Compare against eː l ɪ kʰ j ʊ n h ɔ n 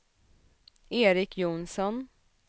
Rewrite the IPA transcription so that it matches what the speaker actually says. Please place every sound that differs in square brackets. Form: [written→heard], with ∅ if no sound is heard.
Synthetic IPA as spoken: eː [l→ɾ] ɪ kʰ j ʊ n [h→s] ɔ n

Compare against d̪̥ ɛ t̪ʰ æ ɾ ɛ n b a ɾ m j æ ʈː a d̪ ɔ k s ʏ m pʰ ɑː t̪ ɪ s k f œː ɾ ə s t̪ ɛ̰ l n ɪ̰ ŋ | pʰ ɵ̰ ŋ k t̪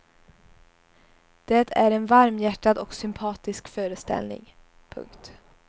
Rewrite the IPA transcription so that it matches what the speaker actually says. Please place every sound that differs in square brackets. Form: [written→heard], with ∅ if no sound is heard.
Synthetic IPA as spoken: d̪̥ ɛ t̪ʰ æ ɾ ɛ n [b→v] a ɾ m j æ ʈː a d̪ ɔ k s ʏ m pʰ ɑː t̪ ɪ s k f œː ɾ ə s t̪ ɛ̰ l n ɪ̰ ŋ | pʰ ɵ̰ ŋ k t̪

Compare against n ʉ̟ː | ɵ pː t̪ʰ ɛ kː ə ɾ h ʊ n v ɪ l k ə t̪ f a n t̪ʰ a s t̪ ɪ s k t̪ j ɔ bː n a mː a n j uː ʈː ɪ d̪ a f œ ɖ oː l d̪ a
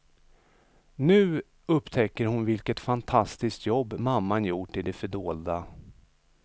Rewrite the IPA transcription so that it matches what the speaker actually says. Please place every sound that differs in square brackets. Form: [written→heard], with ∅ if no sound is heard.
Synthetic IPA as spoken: n ʉ̟ː | ɵ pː t̪ʰ ɛ kː ə ɾ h ʊ n v ɪ l k ə t̪ f a n t̪ʰ a s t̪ ɪ s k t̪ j ɔ bː [n→m] a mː a n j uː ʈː ɪ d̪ [a→ɛ] f œ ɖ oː l d̪ a

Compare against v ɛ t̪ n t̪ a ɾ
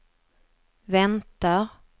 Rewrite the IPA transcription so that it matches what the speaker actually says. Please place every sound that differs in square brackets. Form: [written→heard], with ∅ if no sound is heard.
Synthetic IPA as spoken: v ɛ [t̪→∅] n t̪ a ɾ

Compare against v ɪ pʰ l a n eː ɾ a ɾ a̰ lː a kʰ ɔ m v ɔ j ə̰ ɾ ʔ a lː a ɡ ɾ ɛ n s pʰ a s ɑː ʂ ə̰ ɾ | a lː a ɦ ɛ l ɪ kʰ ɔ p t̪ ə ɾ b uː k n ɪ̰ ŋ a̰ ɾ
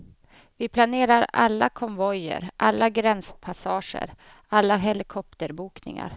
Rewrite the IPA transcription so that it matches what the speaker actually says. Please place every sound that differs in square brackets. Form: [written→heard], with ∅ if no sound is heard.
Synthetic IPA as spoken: v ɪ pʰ l a n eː ɾ a ɾ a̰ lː a kʰ ɔ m v ɔ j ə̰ ɾ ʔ a lː a ɡ ɾ ɛ n s pʰ a s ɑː ʂ ə̰ ɾ | a lː a ɦ ɛ l ɪ kʰ ɔ p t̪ ə ɾ b uː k n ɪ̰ ŋ a̰ ɾ

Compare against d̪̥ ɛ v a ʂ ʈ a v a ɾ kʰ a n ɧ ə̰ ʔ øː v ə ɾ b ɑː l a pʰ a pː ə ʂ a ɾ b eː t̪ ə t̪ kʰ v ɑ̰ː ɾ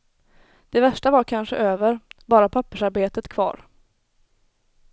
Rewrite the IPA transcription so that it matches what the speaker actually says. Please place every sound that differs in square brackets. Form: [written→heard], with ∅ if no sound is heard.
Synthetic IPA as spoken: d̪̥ ɛ v [a→æ] ʂ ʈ a v a ɾ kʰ a n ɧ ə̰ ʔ øː v ə ɾ b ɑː [l→ɾ] a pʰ a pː ə ʂ a ɾ b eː t̪ ə t̪ kʰ v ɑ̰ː ɾ

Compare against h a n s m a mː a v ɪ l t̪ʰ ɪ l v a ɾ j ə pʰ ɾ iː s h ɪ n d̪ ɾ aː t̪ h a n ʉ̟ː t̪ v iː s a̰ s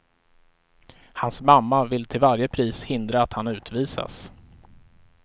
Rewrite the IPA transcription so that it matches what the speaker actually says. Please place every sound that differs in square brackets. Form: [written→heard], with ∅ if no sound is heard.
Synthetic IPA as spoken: h a n s m a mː a v ɪ l t̪ʰ ɪ l v a ɾ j ə pʰ ɾ iː s h ɪ n d̪ ɾ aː t̪ h a n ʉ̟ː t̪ v iː s a̰ s

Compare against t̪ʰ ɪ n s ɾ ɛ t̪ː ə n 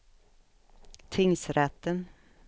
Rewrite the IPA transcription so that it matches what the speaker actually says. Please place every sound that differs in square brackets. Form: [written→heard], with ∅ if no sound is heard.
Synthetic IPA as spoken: t̪ʰ ɪ [n→ŋ] s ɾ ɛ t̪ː ə n

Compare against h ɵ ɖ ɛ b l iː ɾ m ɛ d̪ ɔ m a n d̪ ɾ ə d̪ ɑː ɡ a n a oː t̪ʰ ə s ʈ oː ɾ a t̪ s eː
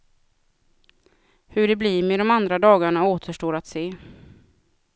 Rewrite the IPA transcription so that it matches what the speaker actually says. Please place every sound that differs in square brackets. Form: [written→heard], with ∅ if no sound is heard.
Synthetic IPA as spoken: h ɵ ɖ ɛ b l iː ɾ m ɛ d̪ ɔ m a n d̪ ɾ [ə→a] d̪ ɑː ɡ a [n→ɳ] a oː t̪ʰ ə [s→ʂ] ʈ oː ɾ a t̪ s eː

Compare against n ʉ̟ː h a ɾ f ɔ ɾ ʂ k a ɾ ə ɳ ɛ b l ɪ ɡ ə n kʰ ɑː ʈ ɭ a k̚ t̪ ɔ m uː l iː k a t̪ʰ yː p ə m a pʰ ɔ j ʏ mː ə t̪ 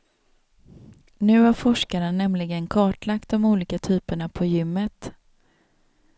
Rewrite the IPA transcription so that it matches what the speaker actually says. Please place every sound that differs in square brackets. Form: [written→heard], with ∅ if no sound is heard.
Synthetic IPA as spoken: n ʉ̟ː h a ɾ f ɔ [ɾ→∅] ʂ k a ɾ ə [ɳ→n] ɛ [b→m] l ɪ ɡ ə n kʰ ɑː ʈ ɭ a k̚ t̪ ɔ m uː l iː k a t̪ʰ yː p ə [m→ɳ] a pʰ ɔ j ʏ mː ə t̪

